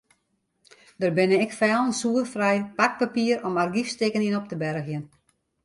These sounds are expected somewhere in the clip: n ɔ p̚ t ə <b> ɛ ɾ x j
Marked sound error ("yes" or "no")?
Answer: no